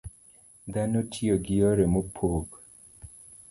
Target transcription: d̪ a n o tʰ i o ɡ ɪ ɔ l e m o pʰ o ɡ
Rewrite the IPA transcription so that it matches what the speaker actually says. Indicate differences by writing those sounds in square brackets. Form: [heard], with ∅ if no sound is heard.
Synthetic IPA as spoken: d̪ a n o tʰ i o ɡ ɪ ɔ [ɾ] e m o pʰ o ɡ